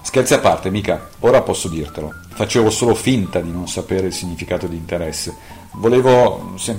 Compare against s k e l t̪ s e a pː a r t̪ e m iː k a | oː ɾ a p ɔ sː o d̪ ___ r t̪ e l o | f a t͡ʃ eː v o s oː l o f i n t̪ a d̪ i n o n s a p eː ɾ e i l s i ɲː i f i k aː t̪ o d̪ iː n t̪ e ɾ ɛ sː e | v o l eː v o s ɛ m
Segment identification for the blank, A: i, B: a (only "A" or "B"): A